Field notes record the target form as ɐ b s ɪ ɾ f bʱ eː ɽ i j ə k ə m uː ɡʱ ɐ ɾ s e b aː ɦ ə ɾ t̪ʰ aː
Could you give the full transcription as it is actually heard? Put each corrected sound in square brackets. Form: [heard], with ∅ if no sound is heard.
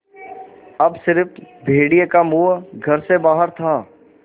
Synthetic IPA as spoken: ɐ b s ɪ ɾ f bʱ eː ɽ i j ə k [a] m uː ɡʱ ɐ ɾ s e b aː ɦ ə ɾ t̪ʰ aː